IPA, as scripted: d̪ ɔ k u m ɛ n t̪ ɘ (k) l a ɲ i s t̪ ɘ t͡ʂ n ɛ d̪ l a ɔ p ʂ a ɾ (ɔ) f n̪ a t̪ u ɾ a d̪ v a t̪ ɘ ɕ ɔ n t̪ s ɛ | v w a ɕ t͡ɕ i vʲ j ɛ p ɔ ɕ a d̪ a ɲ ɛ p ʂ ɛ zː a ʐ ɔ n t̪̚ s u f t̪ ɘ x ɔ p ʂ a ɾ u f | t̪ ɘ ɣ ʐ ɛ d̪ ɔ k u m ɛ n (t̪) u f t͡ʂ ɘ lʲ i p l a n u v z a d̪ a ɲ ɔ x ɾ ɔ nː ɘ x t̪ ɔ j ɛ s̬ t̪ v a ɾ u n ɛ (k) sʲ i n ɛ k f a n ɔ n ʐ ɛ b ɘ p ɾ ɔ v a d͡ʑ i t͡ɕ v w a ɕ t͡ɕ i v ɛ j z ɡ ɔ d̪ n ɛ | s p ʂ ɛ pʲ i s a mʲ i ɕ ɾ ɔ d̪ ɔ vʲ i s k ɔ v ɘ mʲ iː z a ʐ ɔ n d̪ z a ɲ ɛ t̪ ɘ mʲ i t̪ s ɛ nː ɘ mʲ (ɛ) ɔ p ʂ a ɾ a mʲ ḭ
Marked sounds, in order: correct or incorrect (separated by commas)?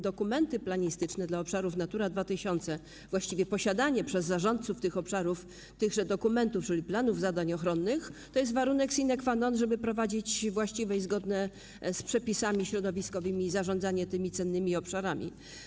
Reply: incorrect, incorrect, correct, correct, incorrect